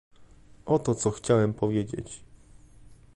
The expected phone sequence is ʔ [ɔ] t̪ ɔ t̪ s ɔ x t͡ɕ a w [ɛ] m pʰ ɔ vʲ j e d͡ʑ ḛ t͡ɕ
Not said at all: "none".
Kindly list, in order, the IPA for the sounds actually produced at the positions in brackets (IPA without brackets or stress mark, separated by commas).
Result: ɔ, ɛ